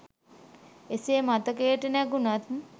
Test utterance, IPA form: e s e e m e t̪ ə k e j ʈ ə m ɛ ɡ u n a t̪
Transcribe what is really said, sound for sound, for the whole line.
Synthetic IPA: e s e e m a t̪ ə k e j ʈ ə n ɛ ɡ u n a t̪